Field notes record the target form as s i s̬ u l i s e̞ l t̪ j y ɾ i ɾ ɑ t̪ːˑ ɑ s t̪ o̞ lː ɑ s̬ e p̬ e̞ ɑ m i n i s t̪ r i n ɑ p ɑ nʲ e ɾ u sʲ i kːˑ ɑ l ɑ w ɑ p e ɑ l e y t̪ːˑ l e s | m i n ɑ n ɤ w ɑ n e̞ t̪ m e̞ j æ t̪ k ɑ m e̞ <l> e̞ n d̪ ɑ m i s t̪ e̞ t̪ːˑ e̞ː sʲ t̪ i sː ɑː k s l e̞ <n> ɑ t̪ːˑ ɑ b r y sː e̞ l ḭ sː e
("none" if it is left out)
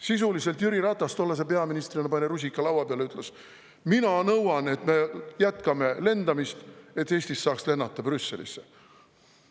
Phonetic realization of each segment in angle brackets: l, nː

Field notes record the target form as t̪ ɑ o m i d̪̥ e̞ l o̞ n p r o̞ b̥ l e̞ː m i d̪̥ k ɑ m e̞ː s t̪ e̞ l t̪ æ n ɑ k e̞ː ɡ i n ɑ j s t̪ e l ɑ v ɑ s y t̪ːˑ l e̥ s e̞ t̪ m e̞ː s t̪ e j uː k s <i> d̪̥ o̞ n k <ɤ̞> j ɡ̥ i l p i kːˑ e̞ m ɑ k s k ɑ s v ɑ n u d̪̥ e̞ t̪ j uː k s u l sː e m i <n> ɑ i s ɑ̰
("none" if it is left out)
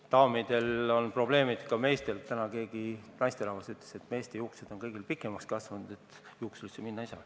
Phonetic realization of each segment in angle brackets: e, ɤ̞, nː

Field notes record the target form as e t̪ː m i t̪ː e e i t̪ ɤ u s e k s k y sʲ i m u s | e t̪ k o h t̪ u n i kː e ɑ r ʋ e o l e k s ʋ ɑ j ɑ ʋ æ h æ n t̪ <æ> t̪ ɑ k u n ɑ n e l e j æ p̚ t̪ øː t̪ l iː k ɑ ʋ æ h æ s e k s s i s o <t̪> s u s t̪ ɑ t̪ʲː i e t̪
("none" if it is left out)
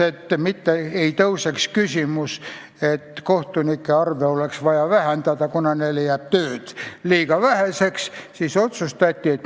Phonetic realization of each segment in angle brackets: æ, t̪

